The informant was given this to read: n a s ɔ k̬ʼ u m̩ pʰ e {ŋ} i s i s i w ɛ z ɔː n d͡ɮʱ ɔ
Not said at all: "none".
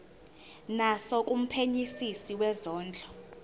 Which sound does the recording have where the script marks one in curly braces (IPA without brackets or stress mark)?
ɲ